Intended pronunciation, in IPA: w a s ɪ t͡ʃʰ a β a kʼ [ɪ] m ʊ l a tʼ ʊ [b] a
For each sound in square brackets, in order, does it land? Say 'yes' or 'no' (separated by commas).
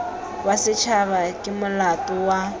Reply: yes, no